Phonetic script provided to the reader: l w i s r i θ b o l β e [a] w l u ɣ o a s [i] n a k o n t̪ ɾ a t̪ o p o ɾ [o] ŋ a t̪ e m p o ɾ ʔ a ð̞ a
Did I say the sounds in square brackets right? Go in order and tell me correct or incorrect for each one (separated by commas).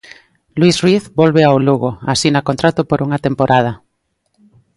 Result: correct, correct, incorrect